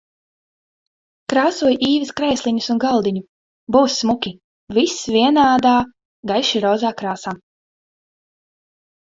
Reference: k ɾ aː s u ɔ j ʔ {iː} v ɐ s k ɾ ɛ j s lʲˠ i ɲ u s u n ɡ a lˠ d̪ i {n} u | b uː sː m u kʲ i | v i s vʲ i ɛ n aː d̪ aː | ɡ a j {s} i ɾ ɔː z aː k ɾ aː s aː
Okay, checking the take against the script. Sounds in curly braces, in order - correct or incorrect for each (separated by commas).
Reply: correct, incorrect, incorrect